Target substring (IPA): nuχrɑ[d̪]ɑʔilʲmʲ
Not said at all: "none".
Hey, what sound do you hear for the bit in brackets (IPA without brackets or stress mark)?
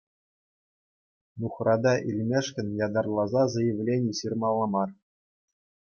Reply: d̪